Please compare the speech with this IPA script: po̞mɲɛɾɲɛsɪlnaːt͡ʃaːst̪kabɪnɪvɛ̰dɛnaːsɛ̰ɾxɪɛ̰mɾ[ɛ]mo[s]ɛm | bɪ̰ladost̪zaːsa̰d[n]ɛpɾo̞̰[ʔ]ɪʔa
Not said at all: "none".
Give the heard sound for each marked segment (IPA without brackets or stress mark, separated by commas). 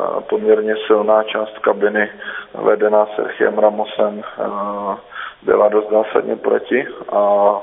a, s, ɲ, c